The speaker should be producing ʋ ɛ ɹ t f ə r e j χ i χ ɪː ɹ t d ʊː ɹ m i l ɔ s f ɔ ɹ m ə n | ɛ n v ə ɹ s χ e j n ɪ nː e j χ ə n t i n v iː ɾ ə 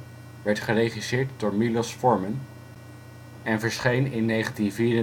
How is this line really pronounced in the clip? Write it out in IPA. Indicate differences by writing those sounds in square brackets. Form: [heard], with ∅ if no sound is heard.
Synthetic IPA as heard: ʋ ɛ ɹ t [χ] ə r e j χ i [s] ɪː ɹ t d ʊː ɹ m i l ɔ s f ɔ ɹ m ə n | ɛ n v ə ɹ s χ e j n ɪ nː e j χ ə n t i n v iː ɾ ə

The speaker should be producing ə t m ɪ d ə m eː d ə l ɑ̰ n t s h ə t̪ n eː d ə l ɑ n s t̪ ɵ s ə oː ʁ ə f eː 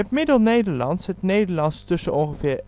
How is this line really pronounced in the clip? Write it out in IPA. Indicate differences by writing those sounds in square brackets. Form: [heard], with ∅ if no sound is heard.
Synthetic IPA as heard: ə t m ɪ d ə [n] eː d ə l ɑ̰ n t s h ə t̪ n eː d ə l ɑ n s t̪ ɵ s ə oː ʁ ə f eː

